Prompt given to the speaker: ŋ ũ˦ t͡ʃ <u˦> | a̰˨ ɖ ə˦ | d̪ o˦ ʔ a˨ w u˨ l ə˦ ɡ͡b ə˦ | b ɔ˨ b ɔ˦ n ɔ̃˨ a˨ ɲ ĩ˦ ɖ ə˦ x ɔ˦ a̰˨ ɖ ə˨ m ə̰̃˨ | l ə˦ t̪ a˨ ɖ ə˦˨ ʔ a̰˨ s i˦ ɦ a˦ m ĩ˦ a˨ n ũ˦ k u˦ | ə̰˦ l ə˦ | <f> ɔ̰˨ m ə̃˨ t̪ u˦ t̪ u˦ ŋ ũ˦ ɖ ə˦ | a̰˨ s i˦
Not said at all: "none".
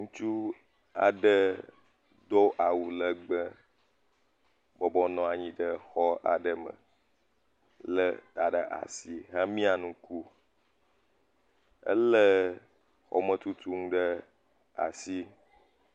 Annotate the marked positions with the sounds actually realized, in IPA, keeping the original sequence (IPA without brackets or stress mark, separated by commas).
u˦, x